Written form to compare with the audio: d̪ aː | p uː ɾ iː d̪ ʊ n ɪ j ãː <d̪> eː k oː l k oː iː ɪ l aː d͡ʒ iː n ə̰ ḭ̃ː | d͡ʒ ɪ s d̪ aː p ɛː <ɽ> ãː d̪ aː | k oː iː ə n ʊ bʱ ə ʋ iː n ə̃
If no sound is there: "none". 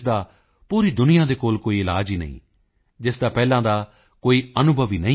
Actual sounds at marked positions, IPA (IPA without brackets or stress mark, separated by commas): d̪, l